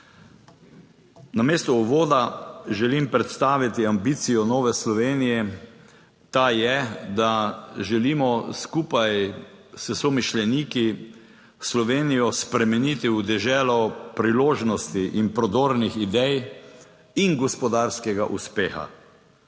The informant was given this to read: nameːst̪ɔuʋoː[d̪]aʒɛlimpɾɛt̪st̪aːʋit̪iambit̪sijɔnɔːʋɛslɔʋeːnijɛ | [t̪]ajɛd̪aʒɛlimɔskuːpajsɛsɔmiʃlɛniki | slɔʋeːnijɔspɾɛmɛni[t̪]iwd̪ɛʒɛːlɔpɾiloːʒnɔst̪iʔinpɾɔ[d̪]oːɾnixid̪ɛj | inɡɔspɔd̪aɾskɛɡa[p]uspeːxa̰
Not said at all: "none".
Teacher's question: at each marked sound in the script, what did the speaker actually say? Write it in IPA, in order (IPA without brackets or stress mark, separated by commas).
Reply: d̪, t̪, t̪, d̪, ʔ